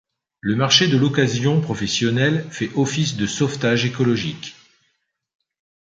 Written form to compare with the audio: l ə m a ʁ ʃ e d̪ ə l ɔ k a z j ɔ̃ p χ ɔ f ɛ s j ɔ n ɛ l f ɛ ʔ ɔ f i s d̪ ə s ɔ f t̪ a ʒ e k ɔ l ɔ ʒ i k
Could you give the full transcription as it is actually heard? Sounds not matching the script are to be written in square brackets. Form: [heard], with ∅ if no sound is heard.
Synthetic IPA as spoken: l ə m a ʁ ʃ e d̪ ə l ɔ k a z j ɔ̃ p χ ɔ f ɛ s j ɔ n ɛ l f ɛ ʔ ɔ f i s d̪ ə s ɔ f t̪ a ʒ e k ɔ l ɔ ʒ i k